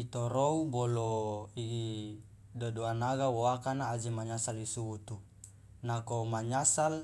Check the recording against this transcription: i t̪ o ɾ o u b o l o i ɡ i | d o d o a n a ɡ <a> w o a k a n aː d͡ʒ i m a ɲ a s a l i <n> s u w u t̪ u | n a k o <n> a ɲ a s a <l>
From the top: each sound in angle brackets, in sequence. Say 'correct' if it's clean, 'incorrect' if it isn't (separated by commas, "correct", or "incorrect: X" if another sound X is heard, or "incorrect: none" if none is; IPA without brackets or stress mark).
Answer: correct, incorrect: none, incorrect: m, correct